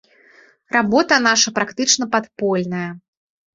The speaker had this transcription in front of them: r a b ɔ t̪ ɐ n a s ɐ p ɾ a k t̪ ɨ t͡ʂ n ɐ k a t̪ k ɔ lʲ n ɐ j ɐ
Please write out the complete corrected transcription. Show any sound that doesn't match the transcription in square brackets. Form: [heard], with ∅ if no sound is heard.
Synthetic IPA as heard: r a b ɔ t̪ ɐ n a [ʂ] ɐ p ɾ a k t̪ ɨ t͡ʂ n ɐ [p] a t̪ [p] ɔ lʲ n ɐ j ɐ